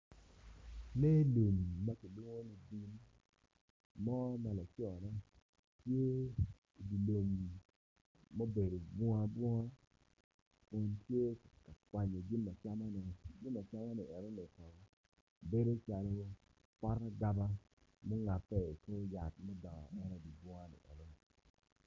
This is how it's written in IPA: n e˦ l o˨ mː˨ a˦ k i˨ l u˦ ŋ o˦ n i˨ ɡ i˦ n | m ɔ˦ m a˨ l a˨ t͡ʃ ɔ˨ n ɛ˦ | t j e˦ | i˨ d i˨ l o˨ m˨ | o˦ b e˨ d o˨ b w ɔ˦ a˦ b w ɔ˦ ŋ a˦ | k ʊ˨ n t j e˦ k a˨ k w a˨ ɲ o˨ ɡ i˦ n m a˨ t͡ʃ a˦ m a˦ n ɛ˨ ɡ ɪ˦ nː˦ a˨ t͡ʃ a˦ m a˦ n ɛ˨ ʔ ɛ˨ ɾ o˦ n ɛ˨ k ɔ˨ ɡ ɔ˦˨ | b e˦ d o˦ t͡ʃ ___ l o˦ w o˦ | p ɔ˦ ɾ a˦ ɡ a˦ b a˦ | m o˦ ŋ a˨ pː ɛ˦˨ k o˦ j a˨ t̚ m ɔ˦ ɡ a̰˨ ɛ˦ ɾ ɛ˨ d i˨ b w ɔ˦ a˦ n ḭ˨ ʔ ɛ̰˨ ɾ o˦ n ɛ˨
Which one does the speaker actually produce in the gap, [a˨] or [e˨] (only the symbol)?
a˨